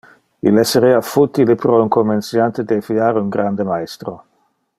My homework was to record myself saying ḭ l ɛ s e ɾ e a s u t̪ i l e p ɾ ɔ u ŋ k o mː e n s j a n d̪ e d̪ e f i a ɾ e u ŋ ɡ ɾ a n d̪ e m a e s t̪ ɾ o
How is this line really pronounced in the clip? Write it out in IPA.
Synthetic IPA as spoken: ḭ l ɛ s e ɾ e a f u t̪ i l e p ɾ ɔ u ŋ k o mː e n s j a n t̪ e d̪ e f i a ɾ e u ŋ ɡ ɾ a n d̪ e m a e s t̪ ɾ o